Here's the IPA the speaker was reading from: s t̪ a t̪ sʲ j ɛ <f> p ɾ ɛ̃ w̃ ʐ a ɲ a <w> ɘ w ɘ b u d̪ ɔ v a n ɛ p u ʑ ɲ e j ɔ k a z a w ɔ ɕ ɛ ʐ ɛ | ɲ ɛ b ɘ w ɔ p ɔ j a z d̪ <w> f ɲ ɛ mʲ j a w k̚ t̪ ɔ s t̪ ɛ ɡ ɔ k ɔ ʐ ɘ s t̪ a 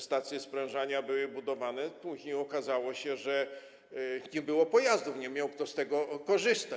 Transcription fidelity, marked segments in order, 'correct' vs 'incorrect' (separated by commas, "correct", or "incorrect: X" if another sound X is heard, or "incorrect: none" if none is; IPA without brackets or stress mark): incorrect: s, incorrect: b, incorrect: u